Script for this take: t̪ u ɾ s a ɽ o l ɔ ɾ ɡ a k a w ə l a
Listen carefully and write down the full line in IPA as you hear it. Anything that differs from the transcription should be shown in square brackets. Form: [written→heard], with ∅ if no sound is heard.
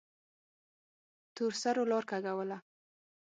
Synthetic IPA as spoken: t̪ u ɾ s a [ɽ→ɾ] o l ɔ ɾ [ɡ→k] a [k→ɡ] a w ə l a